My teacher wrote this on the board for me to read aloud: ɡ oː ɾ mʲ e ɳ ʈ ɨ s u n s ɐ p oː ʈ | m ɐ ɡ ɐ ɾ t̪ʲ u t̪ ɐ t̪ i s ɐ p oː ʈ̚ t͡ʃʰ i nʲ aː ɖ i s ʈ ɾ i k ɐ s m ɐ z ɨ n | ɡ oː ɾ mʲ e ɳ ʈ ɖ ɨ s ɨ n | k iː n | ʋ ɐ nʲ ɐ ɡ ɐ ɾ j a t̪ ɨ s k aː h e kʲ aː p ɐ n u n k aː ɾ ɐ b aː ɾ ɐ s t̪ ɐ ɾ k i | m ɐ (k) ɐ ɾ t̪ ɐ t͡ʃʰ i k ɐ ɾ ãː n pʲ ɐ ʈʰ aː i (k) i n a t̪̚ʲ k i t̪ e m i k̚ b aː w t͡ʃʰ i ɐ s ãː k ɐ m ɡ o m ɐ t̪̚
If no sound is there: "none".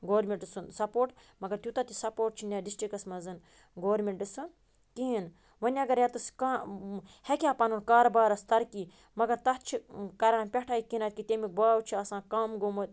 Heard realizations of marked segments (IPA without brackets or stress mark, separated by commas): ɡ, k